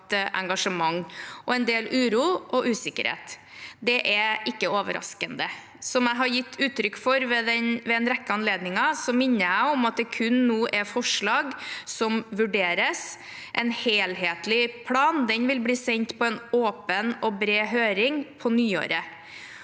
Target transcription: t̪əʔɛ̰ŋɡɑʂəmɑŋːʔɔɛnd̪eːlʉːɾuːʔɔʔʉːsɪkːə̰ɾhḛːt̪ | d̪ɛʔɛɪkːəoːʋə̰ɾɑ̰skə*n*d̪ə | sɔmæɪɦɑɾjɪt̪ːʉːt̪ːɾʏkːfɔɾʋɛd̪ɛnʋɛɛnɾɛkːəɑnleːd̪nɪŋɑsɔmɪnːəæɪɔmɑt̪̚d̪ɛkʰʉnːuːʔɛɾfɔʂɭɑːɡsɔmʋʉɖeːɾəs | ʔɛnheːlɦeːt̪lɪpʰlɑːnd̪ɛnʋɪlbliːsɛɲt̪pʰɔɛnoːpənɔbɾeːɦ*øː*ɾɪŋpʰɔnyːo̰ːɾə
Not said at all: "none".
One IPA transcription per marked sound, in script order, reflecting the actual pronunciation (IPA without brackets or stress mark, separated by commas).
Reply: n, øː